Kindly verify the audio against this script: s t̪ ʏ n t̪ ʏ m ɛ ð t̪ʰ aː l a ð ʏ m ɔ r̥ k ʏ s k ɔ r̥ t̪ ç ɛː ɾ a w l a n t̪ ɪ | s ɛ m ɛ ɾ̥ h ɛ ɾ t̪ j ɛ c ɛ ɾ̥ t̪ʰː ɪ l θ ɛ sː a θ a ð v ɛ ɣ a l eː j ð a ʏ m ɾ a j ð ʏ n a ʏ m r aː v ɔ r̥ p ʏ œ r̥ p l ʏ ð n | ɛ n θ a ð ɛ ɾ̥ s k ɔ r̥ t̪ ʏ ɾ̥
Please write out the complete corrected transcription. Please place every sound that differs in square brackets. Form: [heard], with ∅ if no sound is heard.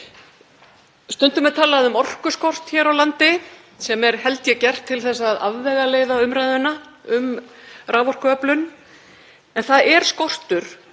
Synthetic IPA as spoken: s t̪ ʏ n t̪ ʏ m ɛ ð t̪ʰ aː l a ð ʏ m ɔ r̥ k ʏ s k ɔ r̥ t̪ ç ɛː ɾ a w l a n t̪ ɪ | s ɛ m ɛ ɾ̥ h ɛ [l] t̪ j ɛ c ɛ [r̥] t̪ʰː ɪ l θ ɛ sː a [ð] a ð v ɛ ɣ a l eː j ð a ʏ m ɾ a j ð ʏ n a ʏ m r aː v ɔ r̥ [k] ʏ œ [∅] p l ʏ [∅] n | ɛ n θ a ð ɛ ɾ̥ s k ɔ r̥ t̪ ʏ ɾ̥

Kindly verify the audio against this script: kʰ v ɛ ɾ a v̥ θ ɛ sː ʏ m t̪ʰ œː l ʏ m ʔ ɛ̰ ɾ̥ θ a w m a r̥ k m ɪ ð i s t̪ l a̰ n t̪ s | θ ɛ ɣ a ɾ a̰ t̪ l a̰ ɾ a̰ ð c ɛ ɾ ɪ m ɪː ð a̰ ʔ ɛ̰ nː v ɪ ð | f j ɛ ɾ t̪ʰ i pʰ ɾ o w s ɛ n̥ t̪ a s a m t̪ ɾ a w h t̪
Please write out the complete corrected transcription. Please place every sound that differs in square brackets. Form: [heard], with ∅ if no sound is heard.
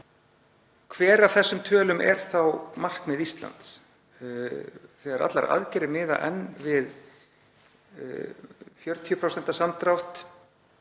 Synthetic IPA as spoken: kʰ v [ɛː] ɾ a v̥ θ ɛ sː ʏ m t̪ʰ œː l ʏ m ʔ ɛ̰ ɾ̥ θ a w m a r̥ k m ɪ ð i s t̪ l a̰ n t̪ s | θ ɛ ɣ a ɾ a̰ t̪ l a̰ ɾ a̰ ð c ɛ ɾ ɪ m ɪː ð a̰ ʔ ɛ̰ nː v ɪ ð | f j [œ] ɾ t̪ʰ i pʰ ɾ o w s ɛ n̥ t̪ a s a m t̪ ɾ a w h t̪

